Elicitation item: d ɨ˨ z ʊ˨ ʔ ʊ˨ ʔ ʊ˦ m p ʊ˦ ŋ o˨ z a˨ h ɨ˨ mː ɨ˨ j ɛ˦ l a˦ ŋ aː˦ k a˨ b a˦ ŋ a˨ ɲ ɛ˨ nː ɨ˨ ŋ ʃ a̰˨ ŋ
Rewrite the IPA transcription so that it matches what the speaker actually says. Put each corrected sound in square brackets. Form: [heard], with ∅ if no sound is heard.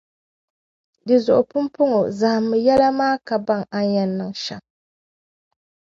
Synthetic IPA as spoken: d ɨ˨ z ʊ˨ ʔ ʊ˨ [p] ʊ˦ m p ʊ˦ ŋ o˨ z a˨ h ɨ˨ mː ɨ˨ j ɛ˦ l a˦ [m] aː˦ k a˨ b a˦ ŋ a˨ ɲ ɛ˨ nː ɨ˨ ŋ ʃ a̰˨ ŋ